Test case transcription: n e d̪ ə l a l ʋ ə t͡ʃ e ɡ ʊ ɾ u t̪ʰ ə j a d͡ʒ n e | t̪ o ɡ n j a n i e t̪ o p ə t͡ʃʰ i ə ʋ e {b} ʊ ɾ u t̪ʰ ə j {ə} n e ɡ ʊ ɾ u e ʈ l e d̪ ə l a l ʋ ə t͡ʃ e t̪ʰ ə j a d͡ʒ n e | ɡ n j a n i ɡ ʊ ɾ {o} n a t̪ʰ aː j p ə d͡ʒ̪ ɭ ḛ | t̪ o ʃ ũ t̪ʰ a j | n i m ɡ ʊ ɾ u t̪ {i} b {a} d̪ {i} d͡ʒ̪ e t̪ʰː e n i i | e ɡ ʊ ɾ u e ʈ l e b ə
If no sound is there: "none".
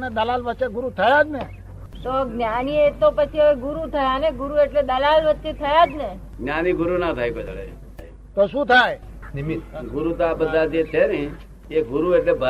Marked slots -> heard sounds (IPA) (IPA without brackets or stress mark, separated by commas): ɡ, a, u, a, ə, a